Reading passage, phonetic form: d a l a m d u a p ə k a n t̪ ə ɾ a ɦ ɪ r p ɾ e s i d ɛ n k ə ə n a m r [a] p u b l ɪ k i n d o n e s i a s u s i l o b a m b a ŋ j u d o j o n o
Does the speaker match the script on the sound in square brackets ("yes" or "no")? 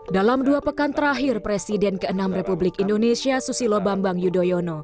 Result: no